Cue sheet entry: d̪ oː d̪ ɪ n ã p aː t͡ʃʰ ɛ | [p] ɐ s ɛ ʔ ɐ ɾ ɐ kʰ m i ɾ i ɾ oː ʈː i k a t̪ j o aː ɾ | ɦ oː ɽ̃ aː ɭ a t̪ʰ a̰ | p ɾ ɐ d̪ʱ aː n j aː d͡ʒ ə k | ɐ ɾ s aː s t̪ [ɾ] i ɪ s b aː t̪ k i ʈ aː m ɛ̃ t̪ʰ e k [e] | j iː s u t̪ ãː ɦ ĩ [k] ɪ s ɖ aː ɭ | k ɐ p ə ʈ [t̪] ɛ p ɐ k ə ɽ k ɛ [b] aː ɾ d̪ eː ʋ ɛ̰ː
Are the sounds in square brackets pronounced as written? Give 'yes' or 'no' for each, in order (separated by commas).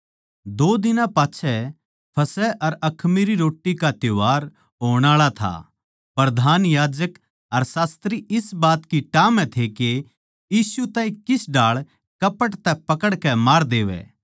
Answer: no, yes, yes, yes, yes, no